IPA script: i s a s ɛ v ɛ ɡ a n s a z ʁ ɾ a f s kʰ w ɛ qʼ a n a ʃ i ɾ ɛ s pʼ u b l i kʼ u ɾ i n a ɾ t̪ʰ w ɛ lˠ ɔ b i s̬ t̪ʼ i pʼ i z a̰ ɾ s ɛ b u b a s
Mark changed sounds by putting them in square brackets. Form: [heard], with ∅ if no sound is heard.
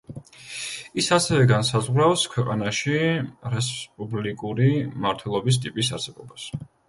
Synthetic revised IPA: i s a s ɛ v ɛ ɡ a n s a z ʁ ɾ a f s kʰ w ɛ qʼ a n a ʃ i ɾ ɛ s pʼ u b l i kʼ u ɾ i [m] a ɾ t̪ʰ w ɛ lˠ ɔ b i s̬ t̪ʼ i pʼ i [s] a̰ ɾ s ɛ b [ɔ] b a s